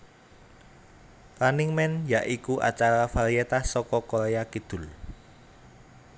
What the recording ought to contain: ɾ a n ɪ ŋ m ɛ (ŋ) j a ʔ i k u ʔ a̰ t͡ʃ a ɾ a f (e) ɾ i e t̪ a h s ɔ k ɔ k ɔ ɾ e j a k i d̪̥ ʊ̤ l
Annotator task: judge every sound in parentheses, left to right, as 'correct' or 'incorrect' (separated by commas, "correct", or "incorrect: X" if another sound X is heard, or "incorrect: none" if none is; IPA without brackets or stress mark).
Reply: incorrect: n, incorrect: a